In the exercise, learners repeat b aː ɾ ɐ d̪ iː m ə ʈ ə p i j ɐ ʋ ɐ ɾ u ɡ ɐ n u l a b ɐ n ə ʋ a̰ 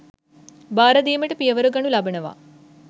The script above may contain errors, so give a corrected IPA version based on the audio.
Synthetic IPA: b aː ɾ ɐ d̪ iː m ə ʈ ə p i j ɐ ʋ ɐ ɾ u ɡ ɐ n u l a b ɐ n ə ʋ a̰